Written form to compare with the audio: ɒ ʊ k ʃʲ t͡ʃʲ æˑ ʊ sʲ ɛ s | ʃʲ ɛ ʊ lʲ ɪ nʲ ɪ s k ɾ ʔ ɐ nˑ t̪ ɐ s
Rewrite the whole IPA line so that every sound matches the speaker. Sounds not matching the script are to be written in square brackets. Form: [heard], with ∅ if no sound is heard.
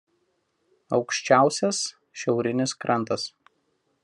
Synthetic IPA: ɒ ʊ k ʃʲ t͡ʃʲ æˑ ʊ sʲ ɛ s | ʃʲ ɛ ʊ [ɾʲ] ɪ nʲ ɪ s k ɾ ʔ ɐ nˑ t̪ ɐ s